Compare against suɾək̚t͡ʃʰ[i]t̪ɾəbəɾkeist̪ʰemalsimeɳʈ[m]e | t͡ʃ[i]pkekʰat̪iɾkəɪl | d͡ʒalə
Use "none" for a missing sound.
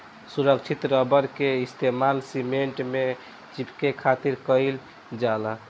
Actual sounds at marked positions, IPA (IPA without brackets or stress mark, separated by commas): i, m, i